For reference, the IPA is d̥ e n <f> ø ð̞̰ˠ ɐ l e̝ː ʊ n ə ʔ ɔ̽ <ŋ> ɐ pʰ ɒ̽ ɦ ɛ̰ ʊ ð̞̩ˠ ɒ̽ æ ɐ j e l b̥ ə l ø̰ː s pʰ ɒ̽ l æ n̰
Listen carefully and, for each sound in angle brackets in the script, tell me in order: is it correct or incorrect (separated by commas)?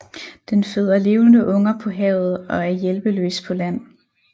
correct, correct